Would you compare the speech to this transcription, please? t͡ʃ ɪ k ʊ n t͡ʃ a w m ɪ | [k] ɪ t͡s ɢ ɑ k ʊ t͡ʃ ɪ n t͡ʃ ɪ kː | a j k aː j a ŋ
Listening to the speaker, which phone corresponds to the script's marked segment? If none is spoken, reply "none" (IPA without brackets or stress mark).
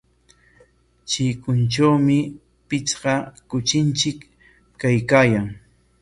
p